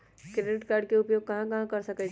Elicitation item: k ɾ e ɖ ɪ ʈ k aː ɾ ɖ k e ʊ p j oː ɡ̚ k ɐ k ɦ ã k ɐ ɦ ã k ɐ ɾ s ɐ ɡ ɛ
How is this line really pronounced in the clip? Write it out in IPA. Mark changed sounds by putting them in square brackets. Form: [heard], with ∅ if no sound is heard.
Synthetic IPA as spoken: k ɾ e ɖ ɪ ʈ k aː ɾ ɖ k e ʊ p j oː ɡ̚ k ɐ [∅] ɦ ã k ɐ ɦ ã k ɐ ɾ s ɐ [k] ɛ